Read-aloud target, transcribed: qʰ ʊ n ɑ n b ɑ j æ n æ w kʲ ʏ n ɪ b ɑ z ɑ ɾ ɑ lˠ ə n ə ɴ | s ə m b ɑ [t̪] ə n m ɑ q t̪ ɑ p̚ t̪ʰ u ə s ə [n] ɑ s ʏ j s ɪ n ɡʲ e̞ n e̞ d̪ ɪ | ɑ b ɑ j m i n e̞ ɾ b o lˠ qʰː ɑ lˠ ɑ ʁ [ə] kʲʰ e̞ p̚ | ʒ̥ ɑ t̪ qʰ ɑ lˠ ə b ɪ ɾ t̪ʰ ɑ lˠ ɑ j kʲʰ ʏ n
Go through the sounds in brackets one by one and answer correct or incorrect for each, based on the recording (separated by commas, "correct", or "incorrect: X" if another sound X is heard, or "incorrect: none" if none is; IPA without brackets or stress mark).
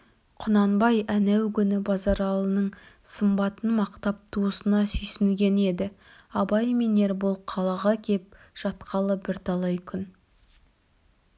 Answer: correct, correct, incorrect: ɑ